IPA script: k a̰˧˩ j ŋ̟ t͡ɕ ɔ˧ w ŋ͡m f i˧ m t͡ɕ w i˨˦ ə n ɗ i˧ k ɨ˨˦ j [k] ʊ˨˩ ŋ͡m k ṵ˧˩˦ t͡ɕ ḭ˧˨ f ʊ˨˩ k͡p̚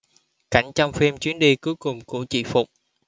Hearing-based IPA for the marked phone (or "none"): k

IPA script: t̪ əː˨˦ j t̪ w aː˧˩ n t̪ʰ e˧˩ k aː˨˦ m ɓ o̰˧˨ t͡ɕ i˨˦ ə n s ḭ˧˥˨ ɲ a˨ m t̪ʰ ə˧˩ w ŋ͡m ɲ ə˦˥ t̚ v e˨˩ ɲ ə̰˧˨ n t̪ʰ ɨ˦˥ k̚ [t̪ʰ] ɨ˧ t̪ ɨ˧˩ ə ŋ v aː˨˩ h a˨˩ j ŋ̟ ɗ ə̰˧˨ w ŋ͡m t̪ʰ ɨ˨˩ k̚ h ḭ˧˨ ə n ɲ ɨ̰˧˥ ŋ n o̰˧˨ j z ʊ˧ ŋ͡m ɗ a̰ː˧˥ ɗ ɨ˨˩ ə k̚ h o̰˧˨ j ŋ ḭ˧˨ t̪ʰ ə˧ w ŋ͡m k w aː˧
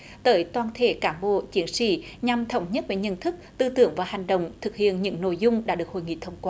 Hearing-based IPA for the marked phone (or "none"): t̪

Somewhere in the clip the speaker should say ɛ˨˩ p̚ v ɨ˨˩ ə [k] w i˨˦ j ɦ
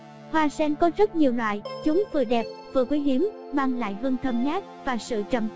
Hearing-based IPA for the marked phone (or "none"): k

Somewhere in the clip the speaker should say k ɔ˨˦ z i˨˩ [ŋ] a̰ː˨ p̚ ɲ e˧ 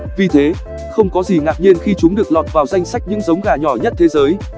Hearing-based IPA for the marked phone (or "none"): ŋ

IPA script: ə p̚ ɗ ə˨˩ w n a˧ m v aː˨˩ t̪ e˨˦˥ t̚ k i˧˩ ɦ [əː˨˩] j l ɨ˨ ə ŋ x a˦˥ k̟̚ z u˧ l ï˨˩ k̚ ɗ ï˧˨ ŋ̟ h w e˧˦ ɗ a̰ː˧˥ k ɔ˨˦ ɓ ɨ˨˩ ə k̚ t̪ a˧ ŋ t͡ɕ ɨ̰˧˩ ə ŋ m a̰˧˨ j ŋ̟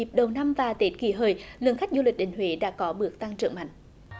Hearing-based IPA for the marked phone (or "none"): əː˨˩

